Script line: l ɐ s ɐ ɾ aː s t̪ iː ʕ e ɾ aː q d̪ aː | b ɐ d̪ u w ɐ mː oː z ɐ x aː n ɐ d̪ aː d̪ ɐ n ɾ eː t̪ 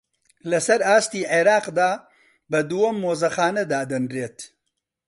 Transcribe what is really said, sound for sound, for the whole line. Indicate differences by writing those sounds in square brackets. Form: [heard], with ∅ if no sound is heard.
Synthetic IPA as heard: l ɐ s ɐ ɾ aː s t̪ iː ʕ e ɾ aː q d̪ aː | b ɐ d̪ u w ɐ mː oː z ɐ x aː n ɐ d̪ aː d̪ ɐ n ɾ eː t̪